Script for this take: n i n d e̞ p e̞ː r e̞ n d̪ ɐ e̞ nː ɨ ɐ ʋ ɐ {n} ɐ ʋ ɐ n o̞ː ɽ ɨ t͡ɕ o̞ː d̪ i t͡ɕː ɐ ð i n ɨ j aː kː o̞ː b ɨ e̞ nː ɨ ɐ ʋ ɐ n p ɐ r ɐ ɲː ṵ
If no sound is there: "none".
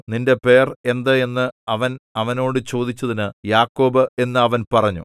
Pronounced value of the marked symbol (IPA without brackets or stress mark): n